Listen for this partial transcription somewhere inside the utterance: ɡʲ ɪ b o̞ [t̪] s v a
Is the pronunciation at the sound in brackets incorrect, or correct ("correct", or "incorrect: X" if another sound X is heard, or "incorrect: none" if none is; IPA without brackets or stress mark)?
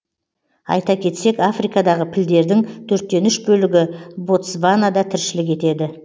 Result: correct